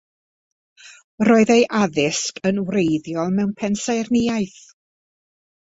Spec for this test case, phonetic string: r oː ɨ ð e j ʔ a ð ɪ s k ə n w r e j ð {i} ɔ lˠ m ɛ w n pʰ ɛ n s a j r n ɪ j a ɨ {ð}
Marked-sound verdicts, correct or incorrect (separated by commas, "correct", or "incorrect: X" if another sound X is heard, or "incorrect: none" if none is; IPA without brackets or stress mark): incorrect: j, incorrect: θ